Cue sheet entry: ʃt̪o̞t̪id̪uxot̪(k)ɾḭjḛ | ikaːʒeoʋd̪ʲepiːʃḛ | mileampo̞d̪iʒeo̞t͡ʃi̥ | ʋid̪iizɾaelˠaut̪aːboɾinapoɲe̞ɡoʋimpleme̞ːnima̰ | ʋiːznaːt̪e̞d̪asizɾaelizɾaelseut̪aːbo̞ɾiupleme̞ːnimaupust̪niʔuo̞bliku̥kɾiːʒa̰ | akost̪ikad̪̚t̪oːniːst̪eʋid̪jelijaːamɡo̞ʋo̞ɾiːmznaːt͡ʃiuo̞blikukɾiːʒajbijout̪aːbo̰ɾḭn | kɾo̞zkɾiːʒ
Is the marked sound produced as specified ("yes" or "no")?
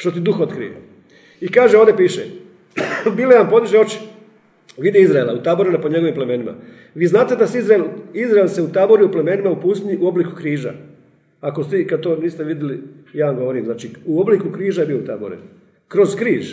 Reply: yes